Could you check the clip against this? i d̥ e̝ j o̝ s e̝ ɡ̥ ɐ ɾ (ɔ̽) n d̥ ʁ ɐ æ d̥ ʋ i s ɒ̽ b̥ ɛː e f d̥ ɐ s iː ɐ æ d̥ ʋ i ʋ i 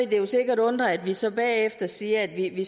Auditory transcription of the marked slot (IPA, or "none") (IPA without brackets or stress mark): ɔ̽